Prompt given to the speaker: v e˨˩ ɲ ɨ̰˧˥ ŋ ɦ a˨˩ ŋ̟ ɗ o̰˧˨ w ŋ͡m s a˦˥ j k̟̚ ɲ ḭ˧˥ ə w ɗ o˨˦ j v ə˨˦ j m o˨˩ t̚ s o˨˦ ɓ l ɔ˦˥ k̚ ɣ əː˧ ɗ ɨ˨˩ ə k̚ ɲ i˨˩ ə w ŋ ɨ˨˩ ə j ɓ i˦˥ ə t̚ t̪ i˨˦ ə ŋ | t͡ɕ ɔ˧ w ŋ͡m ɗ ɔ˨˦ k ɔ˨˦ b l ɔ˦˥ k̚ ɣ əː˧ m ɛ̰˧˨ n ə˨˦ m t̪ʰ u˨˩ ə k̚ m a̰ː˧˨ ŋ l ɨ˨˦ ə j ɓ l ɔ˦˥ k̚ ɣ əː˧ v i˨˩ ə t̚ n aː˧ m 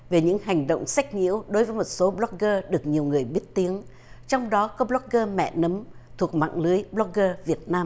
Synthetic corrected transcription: v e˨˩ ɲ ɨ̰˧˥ ŋ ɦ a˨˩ ŋ̟ ɗ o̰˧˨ w ŋ͡m s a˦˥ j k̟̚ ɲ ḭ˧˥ ə w ɗ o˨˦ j v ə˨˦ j m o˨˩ t̚ s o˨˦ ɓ l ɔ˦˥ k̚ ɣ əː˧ ɗ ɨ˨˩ ə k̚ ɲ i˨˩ ə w ŋ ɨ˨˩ ə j ɓ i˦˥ ə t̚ t̪ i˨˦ ə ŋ | t͡ɕ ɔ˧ w ŋ͡m ɗ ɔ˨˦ k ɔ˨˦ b l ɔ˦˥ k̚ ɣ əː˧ m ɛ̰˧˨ n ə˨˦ m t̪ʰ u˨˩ ə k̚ m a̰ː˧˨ ŋ l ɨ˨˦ ə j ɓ l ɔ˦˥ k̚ ɣ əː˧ v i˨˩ ə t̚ n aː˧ m